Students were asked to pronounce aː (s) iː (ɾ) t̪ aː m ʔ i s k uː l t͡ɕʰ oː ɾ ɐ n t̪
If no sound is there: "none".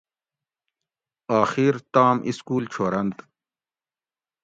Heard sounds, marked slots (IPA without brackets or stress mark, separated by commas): x, ɾ